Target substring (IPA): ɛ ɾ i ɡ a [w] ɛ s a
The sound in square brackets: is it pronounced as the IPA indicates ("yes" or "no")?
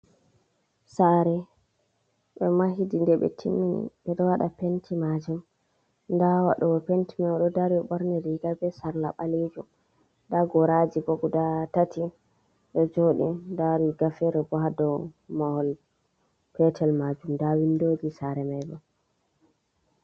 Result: no